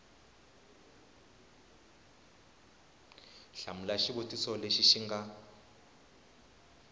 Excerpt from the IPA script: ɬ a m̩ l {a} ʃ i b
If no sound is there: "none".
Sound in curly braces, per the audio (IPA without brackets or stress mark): a